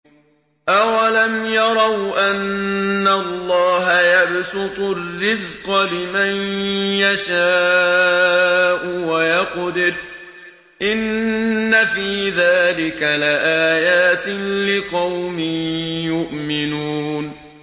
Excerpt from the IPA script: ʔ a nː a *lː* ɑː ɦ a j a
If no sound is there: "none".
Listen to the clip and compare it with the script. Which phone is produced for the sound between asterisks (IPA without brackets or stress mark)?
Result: lː